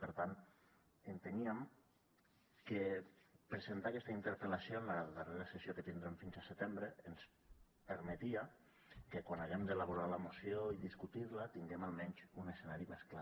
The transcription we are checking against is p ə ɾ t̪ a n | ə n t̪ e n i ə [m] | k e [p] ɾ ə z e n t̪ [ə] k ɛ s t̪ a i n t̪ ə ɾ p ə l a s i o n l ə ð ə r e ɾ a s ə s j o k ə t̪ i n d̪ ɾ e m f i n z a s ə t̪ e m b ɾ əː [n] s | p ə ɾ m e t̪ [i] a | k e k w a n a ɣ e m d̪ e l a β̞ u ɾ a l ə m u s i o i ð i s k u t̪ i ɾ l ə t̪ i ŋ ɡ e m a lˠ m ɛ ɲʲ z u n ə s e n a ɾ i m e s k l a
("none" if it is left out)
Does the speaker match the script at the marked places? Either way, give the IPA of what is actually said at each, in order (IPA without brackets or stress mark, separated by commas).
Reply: m, p, a, n, i